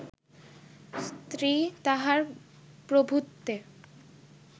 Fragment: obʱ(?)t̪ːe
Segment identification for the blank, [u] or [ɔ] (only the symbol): u